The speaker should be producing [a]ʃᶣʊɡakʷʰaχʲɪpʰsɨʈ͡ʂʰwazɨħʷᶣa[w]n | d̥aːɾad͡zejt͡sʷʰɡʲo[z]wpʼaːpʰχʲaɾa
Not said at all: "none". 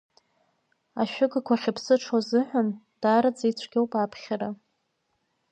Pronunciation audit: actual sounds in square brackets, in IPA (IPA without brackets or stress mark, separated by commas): a, none, none